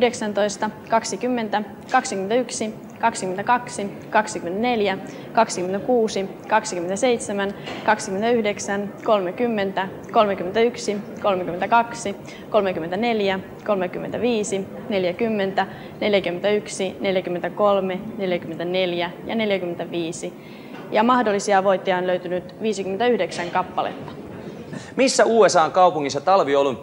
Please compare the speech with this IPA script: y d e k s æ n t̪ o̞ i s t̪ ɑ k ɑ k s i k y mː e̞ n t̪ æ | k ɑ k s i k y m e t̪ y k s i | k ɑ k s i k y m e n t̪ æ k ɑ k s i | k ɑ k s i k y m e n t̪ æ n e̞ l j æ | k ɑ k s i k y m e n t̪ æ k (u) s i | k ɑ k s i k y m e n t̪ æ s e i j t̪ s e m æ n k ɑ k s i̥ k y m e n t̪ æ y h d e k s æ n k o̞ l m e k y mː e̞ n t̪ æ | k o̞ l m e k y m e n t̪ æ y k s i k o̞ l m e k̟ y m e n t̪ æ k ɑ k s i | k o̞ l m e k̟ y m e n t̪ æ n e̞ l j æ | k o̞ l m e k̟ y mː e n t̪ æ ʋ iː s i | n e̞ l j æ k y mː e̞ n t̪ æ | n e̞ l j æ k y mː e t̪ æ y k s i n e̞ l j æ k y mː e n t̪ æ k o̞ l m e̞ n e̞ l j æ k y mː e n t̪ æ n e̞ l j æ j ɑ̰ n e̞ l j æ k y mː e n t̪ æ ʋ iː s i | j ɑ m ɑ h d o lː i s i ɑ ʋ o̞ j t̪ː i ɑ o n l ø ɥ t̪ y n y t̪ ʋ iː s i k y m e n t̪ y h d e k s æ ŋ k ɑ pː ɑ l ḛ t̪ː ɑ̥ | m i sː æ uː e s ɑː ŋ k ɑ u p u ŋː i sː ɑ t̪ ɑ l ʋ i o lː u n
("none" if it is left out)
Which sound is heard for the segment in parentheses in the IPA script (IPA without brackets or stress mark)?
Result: uː